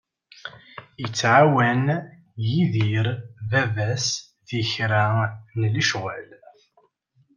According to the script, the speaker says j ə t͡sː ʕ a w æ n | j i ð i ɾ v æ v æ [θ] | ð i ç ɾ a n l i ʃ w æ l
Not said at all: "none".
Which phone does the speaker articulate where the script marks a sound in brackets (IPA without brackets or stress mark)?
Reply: s